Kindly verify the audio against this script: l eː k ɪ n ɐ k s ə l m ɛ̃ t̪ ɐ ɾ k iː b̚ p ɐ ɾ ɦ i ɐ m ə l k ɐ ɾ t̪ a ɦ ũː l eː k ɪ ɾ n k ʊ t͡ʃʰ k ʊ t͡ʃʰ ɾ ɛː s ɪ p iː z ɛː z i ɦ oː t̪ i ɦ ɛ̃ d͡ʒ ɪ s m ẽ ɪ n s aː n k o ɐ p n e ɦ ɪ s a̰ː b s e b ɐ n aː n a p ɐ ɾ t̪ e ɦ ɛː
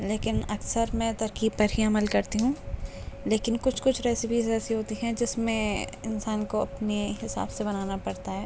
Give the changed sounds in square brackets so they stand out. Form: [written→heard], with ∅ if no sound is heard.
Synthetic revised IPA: l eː k ɪ n ɐ k s ə [l→ɾ] m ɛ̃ t̪ ɐ ɾ k iː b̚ p ɐ ɾ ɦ i ɐ m ə l k ɐ ɾ t̪ [a→i] ɦ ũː l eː k ɪ [ɾ→∅] n k ʊ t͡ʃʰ k ʊ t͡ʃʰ ɾ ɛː s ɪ p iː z ɛː [z→s] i ɦ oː t̪ i ɦ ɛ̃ d͡ʒ ɪ s m ẽ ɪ n s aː n k o ɐ p n e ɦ ɪ s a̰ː b s e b ɐ n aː n a p ɐ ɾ t̪ [e→a] ɦ ɛː